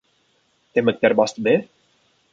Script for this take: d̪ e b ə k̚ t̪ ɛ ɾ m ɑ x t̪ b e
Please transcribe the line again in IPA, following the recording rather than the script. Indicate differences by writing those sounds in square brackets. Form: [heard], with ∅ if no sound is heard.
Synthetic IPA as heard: [t̪] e [m] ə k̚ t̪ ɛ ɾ [b] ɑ [s] t̪ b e

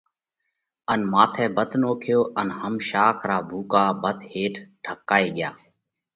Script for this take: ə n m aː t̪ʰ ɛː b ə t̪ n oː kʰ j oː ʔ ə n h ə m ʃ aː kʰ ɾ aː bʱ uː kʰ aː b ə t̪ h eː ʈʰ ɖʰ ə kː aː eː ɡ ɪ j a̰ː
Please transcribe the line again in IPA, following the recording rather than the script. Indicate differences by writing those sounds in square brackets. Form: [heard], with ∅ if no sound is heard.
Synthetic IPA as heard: ə n m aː t̪ʰ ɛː b ə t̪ n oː kʰ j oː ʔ ə n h ə m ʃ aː kʰ ɾ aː bʱ uː [k] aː b ə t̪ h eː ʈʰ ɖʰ ə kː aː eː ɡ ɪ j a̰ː

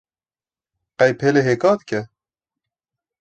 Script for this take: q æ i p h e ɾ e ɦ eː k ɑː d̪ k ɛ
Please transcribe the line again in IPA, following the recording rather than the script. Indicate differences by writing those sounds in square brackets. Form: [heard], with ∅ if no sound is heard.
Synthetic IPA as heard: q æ [j] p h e [l] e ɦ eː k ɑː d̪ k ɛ

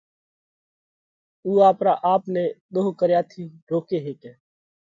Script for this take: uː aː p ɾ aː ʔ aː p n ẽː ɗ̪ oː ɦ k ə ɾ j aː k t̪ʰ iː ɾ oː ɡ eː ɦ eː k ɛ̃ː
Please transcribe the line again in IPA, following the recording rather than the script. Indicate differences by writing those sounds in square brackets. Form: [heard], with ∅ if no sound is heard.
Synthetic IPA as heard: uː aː p ɾ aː ʔ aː p n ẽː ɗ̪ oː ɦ k ə ɾ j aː [∅] t̪ʰ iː ɾ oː [k] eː ɦ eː k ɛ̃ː

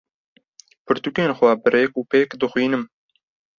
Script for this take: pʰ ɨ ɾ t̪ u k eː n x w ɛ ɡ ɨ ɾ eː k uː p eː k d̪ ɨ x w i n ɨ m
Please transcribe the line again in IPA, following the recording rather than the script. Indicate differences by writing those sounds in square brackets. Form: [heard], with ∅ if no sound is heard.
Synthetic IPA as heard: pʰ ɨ ɾ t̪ u k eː n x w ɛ [b] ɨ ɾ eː k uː p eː k d̪ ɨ x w [iː] n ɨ m

